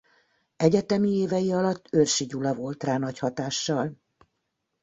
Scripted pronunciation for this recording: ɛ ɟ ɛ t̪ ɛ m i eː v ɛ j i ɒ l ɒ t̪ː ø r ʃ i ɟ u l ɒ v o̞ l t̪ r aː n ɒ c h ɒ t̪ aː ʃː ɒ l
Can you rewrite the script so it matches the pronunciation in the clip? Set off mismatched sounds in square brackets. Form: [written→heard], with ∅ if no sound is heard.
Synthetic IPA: ɛ ɟ ɛ t̪ ɛ m i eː v ɛ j i ɒ l ɒ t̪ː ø r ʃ i ɟ u l ɒ v o̞ l t̪ r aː n ɒ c h ɒ t̪ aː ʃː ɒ l